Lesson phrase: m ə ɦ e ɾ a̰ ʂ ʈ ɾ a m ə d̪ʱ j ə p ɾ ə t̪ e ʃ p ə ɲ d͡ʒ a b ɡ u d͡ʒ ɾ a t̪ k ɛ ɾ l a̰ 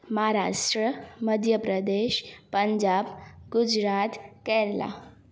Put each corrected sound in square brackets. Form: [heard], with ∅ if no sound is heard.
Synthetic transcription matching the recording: m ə ɦ [a] ɾ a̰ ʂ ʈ ɾ [ə] m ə d̪ʱ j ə p ɾ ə [d̪] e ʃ p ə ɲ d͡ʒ a b ɡ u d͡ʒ ɾ a t̪ k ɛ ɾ l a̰